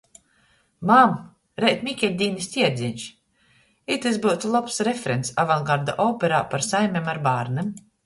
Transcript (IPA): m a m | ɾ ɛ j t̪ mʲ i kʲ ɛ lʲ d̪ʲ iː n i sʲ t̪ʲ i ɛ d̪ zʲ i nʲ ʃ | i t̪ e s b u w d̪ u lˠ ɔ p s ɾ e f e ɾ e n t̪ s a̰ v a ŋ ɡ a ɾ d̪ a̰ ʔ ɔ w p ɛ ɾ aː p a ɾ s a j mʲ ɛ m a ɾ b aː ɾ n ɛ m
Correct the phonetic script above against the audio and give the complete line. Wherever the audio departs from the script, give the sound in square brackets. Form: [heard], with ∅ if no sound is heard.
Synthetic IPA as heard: m a m | ɾ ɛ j t̪ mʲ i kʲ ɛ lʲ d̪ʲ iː n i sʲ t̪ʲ i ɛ d̪ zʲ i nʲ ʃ | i t̪ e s b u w [t̪] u lˠ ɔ p s ɾ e f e ɾ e n t̪ s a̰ v a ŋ ɡ a ɾ d̪ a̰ ʔ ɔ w p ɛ ɾ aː p a ɾ s a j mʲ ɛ m a ɾ b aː ɾ n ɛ m